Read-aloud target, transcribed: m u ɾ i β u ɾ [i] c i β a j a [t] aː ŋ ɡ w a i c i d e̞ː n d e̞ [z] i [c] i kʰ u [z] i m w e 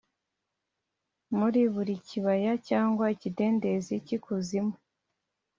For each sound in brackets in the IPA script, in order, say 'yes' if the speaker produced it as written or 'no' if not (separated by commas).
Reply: yes, no, yes, yes, yes